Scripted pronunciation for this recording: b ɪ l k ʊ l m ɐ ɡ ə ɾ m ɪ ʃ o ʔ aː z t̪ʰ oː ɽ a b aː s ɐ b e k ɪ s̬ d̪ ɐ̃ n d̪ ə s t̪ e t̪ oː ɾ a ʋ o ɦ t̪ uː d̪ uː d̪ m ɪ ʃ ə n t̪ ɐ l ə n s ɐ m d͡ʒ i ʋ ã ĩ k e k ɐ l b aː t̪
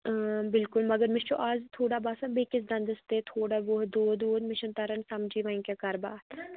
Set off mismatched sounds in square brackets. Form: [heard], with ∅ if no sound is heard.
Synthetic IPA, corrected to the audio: b ɪ l k ʊ l m ɐ ɡ ə ɾ m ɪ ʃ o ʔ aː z t̪ʰ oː ɽ a b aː s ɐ b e k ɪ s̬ d̪ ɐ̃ n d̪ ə s t̪ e [t̪ʰ] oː [ɽ] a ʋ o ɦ [d̪] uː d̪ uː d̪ m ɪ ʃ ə n t̪ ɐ [ɾ] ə n s ɐ m d͡ʒ i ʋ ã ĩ k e k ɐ [ɾ] b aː t̪